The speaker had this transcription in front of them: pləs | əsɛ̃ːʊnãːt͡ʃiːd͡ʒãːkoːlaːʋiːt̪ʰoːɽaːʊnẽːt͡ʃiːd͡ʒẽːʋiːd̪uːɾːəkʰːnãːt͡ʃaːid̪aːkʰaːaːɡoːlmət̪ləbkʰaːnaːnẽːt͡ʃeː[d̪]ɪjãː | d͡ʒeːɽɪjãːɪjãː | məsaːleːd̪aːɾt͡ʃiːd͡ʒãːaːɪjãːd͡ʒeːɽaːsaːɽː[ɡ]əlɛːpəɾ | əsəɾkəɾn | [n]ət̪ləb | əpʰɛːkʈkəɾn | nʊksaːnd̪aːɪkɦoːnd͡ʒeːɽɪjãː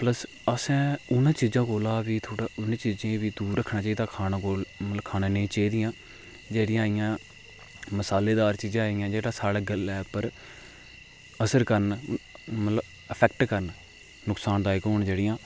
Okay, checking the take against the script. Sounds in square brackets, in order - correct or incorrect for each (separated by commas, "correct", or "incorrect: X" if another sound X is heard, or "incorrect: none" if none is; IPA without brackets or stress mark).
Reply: correct, correct, incorrect: m